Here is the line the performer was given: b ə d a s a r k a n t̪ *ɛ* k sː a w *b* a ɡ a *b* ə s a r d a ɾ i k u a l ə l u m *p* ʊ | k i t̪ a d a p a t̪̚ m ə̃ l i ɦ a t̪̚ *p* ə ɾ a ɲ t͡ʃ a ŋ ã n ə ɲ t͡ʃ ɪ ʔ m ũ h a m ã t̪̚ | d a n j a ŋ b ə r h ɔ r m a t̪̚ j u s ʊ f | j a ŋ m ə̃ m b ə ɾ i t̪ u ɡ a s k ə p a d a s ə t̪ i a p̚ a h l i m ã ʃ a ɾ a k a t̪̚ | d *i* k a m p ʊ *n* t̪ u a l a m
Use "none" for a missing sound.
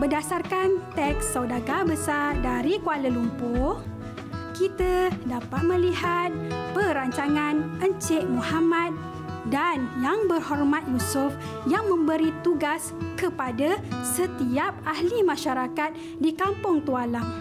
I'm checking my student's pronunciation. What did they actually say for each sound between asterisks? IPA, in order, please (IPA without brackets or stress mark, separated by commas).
ɛ, d, b, p, p, i, ŋ